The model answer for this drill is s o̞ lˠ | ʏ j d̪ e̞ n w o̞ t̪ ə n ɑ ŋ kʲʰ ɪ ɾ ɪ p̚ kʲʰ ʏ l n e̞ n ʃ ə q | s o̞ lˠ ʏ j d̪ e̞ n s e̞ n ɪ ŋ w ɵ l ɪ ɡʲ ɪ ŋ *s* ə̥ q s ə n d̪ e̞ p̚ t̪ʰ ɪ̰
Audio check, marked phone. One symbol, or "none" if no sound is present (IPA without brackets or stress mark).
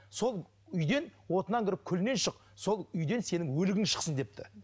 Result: ʃ